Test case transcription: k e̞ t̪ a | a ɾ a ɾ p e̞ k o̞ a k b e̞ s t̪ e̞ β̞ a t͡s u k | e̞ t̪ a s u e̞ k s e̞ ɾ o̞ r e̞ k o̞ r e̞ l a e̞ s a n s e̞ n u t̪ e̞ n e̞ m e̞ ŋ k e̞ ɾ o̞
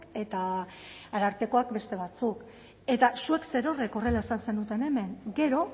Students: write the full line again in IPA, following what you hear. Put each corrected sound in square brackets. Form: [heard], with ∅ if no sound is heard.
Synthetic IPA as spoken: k e̞ t̪ a | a ɾ a ɾ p e̞ k o̞ a k b e̞ s t̪ e̞ β̞ a t͡s u k | e̞ t̪ a s u e̞ k s e̞ ɾ o̞ r e̞ k o̞ r e̞ l a e̞ s a n s e̞ n u t̪ e̞ n e̞ m e̞ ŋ [ɡ] e̞ ɾ o̞